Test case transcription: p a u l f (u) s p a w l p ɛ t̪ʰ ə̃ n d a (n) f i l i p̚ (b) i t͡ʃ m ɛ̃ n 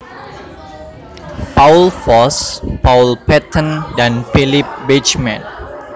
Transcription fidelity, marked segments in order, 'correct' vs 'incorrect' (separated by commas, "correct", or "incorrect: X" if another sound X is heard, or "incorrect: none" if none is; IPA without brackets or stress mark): incorrect: ɔ, correct, correct